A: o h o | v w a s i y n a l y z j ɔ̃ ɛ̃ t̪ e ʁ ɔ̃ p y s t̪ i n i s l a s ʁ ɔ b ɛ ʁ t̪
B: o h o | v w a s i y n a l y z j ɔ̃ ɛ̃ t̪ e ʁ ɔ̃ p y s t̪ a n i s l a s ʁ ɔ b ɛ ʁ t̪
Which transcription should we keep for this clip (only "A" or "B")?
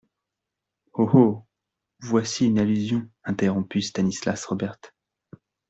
B